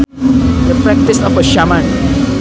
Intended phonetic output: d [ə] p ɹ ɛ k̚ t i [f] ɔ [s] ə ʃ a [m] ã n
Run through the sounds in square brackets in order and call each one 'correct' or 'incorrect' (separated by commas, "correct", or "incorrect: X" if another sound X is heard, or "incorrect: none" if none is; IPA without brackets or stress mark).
correct, incorrect: s, incorrect: f, correct